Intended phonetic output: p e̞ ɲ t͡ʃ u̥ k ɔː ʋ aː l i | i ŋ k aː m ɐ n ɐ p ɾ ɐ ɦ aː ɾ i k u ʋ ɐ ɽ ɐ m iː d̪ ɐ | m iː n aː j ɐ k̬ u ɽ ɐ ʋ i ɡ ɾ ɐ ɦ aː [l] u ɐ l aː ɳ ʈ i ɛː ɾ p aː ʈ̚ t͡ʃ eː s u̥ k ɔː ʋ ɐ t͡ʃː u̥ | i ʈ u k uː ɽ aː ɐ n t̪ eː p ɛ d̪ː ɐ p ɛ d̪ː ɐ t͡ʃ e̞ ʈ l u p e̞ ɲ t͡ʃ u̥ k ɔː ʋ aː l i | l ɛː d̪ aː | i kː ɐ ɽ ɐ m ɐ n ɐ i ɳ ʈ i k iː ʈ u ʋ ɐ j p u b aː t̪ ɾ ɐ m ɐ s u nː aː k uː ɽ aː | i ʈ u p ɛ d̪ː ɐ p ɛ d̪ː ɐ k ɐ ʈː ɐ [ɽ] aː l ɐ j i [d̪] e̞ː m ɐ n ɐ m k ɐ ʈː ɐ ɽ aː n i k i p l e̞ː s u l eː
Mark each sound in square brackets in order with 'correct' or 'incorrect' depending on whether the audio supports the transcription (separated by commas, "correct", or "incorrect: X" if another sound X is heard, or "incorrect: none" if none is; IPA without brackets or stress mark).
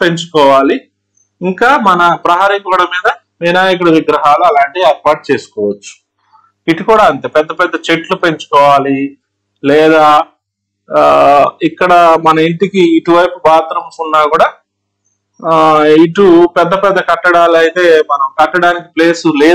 correct, correct, incorrect: t̪